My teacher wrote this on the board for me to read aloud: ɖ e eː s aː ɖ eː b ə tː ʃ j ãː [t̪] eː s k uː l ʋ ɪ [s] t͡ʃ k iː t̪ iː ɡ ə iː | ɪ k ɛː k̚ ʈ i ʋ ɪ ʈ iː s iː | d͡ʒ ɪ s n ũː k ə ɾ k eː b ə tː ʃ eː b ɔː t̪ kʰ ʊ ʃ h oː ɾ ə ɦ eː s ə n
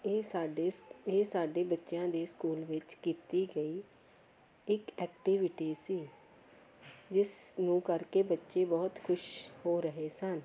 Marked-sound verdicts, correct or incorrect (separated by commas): incorrect, incorrect